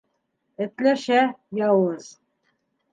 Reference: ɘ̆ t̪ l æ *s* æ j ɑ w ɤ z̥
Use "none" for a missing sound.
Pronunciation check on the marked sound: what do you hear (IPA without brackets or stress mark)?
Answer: ʃ